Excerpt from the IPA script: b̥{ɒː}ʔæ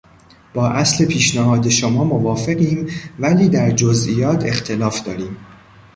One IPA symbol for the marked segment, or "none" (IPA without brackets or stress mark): ɒː